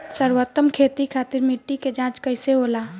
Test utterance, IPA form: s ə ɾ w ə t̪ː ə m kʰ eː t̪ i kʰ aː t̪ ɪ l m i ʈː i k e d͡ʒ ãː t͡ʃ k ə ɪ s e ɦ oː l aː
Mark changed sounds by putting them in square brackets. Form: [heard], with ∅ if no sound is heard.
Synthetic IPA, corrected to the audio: s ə ɾ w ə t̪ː ə m kʰ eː t̪ i kʰ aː t̪ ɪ [ɾ] m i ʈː i k e d͡ʒ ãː t͡ʃ k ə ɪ s e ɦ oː l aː